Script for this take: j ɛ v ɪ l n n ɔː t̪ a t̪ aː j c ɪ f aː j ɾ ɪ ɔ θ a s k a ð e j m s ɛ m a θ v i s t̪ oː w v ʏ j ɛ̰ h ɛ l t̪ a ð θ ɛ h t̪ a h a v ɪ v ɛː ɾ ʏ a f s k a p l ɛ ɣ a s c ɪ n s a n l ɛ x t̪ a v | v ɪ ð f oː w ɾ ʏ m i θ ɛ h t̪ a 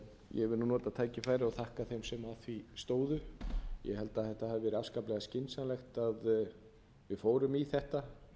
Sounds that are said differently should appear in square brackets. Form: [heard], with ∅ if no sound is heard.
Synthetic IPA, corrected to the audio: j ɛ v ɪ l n n ɔː t̪ a [t̪ʰ] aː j c ɪ f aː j ɾ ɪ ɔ θ a [h] k a [θ] e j m s ɛ m a θ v i s t̪ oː w [ð] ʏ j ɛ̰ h ɛ l t̪ a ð θ ɛ h t̪ a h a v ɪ v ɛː ɾ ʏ a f s k a p l ɛ ɣ a s c ɪ n s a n l ɛ x t̪ a [ð] | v ɪ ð f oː w ɾ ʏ m i θ ɛ h t̪ a